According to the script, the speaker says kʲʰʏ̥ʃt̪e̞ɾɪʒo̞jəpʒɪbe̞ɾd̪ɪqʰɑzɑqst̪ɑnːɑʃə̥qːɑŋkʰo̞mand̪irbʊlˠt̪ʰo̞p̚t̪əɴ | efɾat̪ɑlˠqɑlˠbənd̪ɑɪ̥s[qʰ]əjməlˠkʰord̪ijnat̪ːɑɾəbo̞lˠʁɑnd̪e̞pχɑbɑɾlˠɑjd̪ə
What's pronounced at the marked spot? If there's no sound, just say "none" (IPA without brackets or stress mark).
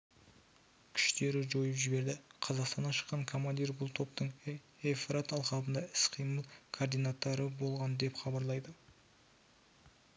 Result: qʰ